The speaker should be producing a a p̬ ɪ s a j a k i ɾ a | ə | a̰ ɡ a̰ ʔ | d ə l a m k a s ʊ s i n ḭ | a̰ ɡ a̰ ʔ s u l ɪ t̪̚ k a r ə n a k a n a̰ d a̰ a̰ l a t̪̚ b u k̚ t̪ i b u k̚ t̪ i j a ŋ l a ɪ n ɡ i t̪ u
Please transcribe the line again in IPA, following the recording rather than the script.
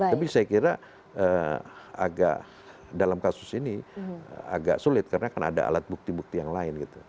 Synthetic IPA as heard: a a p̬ i s a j a k i ɾ a | ə | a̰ ɡ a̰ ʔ | d a l a m k a s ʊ s i n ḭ | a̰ ɡ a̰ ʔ s u l ɪ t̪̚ k a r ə n a k a n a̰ d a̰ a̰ l a t̪̚ b u k̚ t̪ i b u k̚ t̪ i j a ŋ l a ɪ n ɡ i t̪ u